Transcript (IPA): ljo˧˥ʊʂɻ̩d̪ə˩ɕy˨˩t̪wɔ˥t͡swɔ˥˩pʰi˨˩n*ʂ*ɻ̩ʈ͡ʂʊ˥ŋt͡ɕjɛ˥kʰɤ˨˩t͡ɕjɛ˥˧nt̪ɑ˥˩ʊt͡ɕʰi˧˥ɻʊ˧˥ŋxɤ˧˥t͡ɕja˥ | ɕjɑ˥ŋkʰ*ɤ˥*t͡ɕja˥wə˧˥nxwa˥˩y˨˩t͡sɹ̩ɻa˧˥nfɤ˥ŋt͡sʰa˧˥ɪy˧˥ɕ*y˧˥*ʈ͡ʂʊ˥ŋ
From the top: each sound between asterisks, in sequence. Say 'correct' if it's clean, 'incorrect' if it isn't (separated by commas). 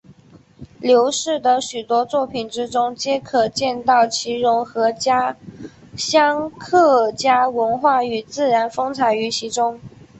incorrect, incorrect, incorrect